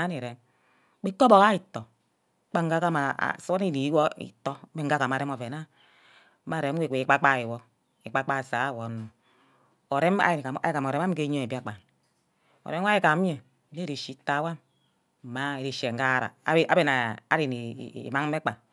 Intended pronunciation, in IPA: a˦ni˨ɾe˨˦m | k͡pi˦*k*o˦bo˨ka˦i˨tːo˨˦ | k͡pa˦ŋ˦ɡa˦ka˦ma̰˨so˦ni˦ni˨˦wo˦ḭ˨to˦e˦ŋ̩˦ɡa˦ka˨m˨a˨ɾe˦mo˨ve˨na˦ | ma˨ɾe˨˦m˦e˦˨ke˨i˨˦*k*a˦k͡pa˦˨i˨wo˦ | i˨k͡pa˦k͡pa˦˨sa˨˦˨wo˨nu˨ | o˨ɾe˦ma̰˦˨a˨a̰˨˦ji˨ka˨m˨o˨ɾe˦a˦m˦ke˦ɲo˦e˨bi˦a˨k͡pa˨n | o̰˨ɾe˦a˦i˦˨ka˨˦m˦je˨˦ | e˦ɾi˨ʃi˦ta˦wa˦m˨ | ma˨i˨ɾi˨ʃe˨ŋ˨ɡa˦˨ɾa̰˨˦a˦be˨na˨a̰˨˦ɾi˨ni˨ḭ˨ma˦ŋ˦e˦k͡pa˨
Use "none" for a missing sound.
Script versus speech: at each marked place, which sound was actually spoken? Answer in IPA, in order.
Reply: k, k͡p

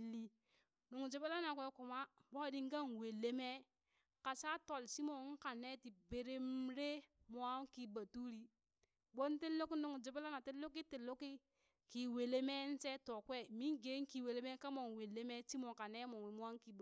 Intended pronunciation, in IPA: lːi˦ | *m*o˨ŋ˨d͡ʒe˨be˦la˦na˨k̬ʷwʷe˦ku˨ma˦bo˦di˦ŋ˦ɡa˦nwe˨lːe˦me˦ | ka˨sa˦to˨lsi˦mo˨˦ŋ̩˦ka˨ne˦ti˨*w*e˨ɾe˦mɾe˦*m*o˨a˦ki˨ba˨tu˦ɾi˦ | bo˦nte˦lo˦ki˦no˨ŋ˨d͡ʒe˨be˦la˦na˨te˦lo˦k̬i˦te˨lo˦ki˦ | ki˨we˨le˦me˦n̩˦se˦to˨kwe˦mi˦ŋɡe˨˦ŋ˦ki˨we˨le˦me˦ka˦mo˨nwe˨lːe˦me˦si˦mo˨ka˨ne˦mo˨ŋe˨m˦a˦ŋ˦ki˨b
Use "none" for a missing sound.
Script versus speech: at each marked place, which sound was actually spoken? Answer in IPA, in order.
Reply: n, b, m

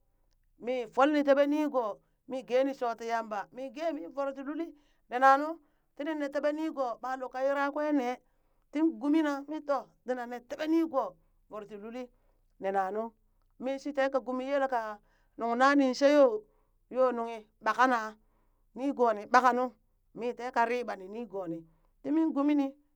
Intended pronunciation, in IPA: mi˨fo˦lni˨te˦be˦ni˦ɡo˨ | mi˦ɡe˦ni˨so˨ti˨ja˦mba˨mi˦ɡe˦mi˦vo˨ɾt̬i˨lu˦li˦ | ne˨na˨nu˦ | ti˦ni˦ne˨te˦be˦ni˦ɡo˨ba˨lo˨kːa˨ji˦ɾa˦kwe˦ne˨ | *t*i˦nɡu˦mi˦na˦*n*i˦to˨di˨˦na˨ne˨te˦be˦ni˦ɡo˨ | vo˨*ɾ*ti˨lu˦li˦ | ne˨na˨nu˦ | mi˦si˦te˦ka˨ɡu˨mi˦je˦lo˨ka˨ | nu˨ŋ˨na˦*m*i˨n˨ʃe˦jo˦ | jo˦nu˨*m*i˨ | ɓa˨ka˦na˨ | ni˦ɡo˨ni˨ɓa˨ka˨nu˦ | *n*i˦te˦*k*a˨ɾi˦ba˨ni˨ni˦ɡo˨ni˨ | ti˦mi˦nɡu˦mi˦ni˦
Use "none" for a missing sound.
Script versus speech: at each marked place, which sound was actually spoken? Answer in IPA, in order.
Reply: t, m, ɾ, n, ŋ, m, k

